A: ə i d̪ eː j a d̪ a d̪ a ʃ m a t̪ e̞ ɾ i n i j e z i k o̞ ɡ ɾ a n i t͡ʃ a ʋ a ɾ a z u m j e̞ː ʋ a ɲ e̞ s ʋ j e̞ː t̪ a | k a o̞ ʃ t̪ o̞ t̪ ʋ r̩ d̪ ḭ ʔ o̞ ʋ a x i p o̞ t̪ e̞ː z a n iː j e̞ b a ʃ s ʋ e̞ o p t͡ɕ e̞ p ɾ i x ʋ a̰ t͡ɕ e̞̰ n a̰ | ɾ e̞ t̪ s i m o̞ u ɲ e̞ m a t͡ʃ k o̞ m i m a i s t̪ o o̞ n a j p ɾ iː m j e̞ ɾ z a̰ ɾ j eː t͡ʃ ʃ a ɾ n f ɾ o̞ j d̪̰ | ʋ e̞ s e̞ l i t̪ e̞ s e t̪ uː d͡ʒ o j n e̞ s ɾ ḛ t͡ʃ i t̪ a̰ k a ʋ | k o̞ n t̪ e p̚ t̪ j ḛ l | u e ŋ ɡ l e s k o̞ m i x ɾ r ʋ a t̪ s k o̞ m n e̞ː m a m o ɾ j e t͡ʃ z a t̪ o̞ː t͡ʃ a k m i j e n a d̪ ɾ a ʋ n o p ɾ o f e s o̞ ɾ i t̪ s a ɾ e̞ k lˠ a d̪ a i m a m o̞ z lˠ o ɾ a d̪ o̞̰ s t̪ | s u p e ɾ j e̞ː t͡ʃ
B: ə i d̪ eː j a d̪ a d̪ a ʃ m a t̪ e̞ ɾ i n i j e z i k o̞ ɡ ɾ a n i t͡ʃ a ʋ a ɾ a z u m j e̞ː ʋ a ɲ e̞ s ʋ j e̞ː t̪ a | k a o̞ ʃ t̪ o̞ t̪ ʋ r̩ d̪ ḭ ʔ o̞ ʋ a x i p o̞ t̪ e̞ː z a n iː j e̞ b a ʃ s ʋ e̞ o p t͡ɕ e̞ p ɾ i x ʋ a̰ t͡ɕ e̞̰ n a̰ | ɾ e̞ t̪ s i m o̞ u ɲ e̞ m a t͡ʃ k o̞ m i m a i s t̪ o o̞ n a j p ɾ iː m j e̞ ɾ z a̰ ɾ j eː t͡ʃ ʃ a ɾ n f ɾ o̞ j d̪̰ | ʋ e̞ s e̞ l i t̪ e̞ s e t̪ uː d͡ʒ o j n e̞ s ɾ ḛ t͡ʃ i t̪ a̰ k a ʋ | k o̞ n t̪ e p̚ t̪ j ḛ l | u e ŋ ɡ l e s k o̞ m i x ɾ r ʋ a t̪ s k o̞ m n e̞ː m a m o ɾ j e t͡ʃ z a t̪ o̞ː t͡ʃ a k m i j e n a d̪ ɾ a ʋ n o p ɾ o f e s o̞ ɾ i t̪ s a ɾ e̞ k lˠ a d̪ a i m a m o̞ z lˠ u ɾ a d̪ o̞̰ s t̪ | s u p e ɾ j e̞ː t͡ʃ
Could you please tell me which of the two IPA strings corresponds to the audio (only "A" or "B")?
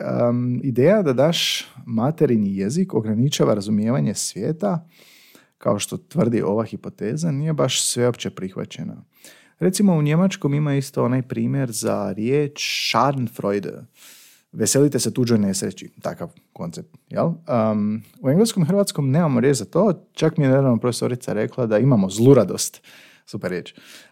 B